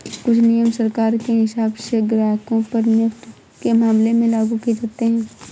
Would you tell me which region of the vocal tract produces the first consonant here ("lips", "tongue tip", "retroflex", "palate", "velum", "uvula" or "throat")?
velum